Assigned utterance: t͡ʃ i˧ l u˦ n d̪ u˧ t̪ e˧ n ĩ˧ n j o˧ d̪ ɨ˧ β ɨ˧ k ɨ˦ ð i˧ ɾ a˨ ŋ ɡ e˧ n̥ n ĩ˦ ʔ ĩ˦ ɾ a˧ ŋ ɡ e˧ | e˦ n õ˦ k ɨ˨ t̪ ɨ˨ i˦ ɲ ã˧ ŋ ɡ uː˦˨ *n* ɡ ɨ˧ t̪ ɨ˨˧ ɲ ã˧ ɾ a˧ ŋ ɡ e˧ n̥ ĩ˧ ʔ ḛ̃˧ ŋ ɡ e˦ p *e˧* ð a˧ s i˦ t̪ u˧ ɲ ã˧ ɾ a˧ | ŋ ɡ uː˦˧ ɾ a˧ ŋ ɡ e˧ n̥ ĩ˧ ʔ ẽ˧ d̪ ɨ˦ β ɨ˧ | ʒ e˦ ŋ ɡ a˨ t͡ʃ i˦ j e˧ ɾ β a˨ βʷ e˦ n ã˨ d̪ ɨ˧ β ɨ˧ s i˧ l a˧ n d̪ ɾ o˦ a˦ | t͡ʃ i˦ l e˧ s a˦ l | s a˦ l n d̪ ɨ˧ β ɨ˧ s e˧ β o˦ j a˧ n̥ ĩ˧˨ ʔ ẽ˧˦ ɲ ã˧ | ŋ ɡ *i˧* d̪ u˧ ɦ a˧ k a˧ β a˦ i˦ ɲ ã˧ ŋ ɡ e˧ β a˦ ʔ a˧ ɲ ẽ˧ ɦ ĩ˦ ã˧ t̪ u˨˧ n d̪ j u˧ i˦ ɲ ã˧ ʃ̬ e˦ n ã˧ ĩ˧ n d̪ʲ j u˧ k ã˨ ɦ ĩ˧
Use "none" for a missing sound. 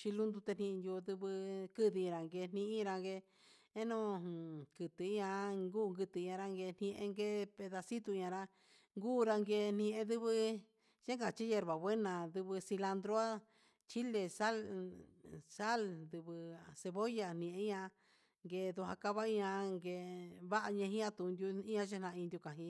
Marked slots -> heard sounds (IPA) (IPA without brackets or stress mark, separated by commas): ŋ, e˧, e˧